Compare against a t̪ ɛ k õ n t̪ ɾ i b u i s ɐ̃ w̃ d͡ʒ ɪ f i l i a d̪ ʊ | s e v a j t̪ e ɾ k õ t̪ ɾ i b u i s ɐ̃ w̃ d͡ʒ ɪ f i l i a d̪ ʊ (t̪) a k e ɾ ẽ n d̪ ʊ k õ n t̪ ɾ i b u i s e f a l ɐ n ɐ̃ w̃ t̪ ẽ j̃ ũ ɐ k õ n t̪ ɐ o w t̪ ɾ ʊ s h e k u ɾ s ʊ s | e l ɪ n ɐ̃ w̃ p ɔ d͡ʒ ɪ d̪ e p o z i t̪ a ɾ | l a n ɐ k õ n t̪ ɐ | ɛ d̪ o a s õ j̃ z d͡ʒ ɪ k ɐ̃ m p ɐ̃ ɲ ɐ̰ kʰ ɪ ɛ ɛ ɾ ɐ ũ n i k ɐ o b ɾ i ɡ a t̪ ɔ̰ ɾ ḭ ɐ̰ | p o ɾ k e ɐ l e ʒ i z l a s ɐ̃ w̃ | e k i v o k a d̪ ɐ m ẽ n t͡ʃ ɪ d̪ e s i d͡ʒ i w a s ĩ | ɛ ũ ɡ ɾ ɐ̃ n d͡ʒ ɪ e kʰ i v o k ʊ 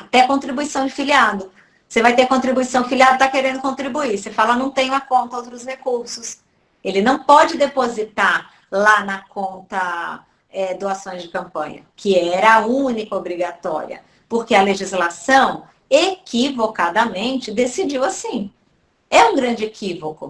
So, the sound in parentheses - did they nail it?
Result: yes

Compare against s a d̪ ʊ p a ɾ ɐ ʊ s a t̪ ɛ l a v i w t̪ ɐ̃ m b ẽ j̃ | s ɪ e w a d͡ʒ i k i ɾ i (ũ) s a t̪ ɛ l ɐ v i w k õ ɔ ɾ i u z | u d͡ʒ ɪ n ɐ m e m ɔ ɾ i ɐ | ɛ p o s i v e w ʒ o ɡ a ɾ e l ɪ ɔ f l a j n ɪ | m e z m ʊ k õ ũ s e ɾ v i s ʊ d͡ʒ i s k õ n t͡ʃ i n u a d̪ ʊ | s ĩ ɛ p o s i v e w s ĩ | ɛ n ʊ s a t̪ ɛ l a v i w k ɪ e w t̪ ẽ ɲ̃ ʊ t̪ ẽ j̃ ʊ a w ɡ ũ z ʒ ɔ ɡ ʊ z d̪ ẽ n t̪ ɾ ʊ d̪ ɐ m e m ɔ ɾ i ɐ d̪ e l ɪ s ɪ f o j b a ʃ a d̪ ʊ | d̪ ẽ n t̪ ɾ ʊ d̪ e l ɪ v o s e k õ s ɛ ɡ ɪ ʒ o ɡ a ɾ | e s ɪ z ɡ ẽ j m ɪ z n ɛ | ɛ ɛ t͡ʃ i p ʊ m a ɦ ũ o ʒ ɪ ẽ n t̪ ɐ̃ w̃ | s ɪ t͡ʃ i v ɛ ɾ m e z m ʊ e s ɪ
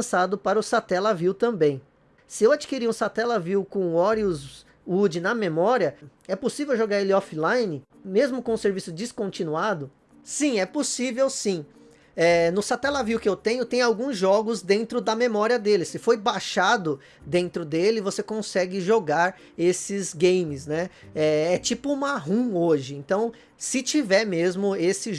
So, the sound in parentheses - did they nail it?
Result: yes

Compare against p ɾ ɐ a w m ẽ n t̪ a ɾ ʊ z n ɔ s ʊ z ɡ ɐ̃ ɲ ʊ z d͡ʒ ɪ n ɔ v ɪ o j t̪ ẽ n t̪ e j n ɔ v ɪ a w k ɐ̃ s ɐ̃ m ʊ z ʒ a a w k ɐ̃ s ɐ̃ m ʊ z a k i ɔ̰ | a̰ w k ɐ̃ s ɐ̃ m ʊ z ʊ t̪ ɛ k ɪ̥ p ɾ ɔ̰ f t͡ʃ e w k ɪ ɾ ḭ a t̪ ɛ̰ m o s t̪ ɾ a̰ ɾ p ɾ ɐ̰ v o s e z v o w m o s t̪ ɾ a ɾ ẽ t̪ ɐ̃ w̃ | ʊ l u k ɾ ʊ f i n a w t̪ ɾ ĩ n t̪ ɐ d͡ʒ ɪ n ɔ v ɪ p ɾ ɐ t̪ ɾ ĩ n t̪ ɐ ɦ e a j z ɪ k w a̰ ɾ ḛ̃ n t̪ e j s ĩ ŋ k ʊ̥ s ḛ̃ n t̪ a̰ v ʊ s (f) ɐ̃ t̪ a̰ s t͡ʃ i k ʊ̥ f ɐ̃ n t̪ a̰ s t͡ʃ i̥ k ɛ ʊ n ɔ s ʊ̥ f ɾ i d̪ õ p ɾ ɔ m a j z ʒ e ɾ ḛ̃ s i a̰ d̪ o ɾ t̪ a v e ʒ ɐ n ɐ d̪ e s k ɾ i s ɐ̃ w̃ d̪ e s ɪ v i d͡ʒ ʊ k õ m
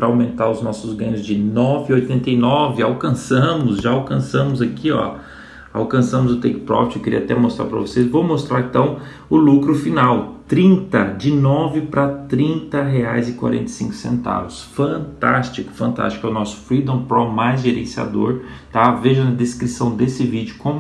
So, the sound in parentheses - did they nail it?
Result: yes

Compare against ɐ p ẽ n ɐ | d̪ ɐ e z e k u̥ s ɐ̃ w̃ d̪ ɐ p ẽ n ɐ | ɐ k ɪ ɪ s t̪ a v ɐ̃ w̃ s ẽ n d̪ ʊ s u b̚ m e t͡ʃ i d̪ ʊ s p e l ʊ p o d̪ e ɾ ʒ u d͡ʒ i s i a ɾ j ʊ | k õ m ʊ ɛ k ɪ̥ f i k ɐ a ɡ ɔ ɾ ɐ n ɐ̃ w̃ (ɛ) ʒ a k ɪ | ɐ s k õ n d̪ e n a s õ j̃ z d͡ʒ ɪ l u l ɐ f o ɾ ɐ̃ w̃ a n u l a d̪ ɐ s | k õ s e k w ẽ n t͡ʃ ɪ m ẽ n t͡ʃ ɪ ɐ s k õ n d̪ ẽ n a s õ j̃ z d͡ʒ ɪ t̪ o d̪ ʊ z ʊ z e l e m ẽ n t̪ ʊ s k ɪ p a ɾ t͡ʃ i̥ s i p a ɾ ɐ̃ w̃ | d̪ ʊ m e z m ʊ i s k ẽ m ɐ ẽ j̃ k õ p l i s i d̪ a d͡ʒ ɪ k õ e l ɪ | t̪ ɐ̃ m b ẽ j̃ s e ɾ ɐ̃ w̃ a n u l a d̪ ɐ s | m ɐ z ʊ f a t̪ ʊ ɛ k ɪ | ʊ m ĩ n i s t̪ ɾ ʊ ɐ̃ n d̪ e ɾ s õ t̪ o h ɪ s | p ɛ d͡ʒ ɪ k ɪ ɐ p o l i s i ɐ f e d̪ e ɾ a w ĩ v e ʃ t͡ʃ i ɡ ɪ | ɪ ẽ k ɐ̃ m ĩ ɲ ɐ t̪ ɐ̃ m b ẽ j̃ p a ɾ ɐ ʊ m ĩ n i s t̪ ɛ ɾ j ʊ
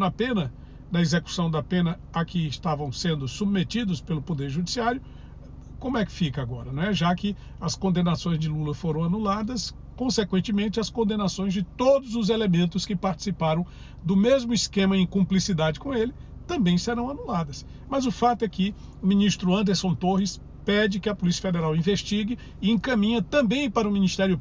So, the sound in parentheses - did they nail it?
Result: yes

